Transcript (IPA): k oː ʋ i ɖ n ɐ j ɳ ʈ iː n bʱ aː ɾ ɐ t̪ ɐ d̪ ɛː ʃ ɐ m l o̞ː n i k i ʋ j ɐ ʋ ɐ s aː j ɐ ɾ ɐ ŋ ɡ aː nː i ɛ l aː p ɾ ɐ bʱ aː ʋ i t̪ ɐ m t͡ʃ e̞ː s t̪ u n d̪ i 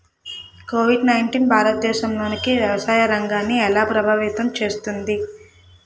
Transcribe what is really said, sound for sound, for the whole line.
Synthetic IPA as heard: k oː ʋ i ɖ n ɐ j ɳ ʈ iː n bʱ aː ɾ ɐ t̪ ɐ d̪ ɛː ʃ ɐ m l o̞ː n i k i ʋ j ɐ ʋ ɐ s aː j ɐ ɾ ɐ ŋ ɡ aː nː i ɛ l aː p ɾ ɐ bʱ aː ʋ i t̪ ɐ m t͡ʃ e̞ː s t̪ u n d̪ i